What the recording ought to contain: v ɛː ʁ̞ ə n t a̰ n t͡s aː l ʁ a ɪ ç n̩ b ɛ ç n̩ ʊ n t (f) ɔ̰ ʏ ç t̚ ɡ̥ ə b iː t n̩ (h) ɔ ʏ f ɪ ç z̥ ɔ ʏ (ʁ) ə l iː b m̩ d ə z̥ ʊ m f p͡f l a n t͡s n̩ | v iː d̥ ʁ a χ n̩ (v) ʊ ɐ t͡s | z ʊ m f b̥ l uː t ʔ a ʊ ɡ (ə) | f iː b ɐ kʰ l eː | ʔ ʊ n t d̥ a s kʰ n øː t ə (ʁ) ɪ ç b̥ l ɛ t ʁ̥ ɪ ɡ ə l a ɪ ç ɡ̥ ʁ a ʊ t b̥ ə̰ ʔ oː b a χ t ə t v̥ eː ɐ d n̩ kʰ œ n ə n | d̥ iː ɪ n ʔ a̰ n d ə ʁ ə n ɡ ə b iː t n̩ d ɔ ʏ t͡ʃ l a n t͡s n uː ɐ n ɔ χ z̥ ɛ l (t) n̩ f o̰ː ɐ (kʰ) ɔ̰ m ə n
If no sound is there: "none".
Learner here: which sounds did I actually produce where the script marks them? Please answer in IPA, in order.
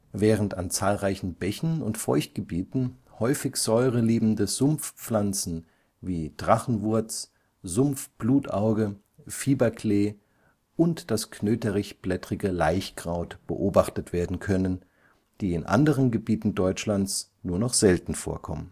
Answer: f, h, ʁ, v, ə, ʁ, t, kʰ

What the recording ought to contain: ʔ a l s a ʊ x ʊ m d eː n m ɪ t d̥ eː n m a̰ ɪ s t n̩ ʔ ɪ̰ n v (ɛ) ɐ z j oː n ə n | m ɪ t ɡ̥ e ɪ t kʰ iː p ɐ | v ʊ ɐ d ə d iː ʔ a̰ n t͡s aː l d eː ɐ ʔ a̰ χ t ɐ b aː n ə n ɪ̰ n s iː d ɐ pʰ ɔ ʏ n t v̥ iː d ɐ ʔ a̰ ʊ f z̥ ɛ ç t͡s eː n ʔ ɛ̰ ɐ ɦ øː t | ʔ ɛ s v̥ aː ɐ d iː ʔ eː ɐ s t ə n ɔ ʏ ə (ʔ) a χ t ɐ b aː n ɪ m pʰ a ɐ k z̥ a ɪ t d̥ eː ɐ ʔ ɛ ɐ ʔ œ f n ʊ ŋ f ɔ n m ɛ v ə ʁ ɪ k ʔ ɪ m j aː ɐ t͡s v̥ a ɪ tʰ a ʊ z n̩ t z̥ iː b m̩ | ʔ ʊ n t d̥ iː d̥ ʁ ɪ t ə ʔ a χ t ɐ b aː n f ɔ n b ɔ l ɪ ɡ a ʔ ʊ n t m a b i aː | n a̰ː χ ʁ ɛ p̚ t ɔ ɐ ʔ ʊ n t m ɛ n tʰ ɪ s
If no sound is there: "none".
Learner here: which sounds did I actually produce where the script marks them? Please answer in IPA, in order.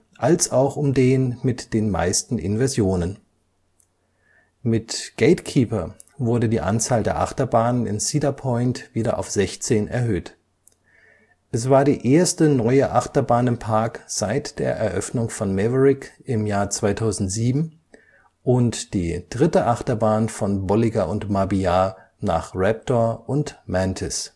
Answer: ɛ, ʔ

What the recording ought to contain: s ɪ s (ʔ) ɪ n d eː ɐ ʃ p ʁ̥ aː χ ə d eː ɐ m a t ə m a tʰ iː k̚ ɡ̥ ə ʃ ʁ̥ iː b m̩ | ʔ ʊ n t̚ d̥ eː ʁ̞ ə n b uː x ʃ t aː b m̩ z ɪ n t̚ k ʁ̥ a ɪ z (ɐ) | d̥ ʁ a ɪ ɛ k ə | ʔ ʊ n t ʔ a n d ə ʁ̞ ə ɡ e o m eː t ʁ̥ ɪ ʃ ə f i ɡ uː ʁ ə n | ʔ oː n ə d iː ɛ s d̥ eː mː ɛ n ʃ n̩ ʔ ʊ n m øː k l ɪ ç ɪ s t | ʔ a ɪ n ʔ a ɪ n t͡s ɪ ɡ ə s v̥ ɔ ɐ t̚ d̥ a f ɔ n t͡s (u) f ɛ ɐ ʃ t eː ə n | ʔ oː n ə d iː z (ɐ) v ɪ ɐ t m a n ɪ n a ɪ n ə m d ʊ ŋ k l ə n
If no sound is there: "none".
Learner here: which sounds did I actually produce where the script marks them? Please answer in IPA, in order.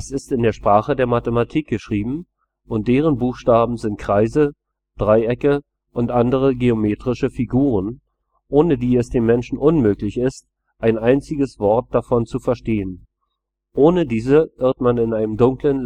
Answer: t, ə, u, ə

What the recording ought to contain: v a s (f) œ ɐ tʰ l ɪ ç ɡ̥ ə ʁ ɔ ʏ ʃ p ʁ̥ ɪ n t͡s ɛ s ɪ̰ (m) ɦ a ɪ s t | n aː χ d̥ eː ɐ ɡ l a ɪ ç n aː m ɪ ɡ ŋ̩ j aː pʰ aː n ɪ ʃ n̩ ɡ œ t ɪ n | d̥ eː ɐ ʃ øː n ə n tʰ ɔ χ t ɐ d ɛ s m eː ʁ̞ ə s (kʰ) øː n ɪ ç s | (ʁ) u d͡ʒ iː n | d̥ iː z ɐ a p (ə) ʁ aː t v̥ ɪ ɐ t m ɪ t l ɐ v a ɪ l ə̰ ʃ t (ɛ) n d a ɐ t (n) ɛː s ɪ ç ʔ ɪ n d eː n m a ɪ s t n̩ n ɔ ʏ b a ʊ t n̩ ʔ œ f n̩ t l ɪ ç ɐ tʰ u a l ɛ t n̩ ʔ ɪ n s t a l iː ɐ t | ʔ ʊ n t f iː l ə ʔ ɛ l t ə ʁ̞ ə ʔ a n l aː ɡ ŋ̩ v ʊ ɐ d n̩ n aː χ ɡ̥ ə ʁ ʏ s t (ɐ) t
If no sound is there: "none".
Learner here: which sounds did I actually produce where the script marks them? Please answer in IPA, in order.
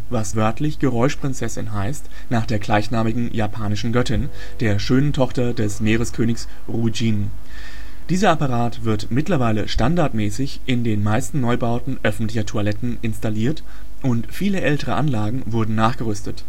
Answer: v, n, kʰ, ʁ, a, a, m, ə

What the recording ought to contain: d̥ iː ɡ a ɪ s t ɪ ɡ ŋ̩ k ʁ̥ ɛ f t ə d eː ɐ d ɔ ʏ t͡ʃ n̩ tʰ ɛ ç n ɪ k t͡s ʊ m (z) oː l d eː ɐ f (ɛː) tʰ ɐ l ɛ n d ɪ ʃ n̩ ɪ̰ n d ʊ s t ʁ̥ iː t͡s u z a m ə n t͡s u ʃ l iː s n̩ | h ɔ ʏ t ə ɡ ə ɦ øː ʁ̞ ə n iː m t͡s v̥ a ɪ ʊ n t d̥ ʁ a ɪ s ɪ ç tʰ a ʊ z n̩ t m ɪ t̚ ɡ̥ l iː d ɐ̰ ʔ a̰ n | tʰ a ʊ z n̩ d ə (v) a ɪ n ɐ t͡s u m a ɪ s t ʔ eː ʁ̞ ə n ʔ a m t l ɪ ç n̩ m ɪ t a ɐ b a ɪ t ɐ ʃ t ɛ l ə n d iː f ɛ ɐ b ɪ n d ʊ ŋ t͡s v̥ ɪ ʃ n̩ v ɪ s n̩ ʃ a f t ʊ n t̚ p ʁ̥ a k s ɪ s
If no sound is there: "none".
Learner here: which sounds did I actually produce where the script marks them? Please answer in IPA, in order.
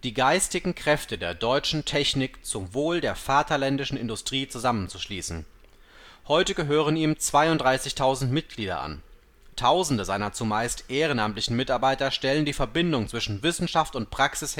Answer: v, aː, z

